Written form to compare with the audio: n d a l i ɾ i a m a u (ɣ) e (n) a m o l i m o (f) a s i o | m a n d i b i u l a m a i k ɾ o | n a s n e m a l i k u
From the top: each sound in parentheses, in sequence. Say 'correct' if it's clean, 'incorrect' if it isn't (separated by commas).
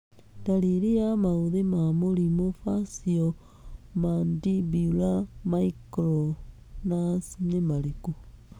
incorrect, incorrect, correct